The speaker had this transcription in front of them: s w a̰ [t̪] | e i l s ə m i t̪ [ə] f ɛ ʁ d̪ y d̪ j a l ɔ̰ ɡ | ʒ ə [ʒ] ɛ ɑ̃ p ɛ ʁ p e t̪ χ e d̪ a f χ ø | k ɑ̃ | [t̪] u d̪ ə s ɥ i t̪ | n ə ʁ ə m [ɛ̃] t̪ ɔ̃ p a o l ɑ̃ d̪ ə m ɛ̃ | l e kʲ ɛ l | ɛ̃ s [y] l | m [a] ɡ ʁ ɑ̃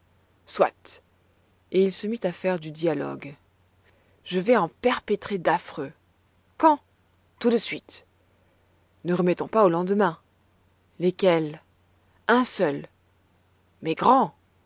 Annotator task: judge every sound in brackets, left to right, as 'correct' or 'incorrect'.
correct, incorrect, incorrect, correct, incorrect, incorrect, incorrect

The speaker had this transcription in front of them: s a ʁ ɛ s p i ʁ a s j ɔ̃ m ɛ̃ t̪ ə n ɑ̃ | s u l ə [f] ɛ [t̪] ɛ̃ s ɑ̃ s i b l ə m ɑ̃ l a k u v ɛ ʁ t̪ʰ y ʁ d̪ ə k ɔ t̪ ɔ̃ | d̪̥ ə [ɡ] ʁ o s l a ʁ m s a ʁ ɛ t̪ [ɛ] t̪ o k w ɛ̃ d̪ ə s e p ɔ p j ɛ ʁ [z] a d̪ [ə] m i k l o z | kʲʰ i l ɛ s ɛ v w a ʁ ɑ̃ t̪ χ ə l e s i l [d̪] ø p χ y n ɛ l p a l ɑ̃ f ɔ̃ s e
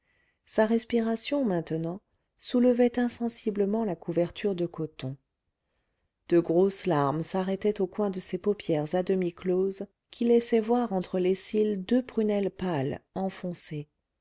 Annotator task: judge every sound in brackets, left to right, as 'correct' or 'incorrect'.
incorrect, correct, correct, correct, correct, correct, correct

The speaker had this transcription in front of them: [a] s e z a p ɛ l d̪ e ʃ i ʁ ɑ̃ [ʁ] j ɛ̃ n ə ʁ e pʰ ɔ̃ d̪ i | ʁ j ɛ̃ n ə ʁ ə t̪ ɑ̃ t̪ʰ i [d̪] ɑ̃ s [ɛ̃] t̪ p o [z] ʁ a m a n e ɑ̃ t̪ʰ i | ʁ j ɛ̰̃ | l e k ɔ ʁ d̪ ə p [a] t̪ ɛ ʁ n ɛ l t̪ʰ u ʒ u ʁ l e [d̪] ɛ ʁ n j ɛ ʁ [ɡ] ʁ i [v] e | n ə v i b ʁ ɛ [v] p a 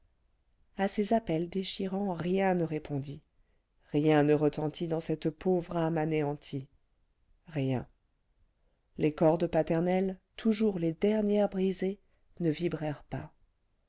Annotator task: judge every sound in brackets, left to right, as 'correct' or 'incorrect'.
correct, correct, correct, incorrect, incorrect, correct, correct, incorrect, incorrect, incorrect

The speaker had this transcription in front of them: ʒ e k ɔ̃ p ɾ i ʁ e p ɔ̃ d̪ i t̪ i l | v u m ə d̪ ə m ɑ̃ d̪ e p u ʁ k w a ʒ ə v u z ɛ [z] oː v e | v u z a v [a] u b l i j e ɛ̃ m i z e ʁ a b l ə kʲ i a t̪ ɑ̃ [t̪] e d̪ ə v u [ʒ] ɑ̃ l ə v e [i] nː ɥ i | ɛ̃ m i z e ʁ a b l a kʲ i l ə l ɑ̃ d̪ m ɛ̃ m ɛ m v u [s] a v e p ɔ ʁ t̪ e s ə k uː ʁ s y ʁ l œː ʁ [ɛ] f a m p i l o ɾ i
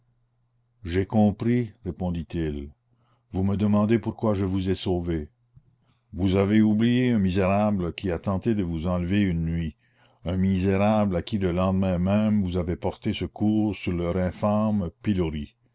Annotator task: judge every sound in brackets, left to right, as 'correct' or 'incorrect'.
incorrect, incorrect, correct, incorrect, incorrect, incorrect, incorrect

